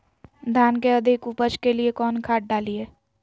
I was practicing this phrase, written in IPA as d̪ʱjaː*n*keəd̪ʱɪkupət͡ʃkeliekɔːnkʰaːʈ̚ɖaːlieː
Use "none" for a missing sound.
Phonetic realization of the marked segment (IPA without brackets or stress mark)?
n